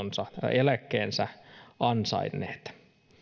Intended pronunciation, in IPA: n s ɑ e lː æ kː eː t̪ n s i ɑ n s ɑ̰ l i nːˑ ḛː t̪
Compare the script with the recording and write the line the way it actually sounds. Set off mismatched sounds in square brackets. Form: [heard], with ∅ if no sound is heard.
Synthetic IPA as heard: n s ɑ e [l] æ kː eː [∅] n s [æ] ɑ n s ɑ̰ [∅] i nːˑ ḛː t̪